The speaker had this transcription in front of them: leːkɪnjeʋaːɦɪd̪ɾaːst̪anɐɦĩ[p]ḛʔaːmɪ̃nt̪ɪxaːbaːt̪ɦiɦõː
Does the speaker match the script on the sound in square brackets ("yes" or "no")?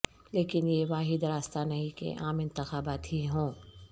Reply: no